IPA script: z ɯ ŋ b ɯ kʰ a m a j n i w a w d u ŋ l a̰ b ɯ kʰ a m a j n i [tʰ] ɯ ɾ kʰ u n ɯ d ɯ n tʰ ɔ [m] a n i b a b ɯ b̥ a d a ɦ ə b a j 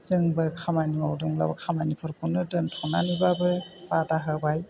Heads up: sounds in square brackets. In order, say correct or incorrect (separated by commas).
incorrect, incorrect